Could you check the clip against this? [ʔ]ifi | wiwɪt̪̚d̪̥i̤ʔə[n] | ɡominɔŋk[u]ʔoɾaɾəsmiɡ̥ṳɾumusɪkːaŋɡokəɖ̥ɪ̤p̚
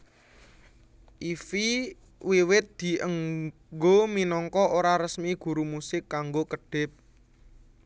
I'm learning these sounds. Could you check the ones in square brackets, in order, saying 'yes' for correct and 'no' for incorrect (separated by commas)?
yes, no, no